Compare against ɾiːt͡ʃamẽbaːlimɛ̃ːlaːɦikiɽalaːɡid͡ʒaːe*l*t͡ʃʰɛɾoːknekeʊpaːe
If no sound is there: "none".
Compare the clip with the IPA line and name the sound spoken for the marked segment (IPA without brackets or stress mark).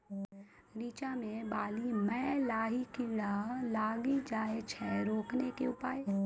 none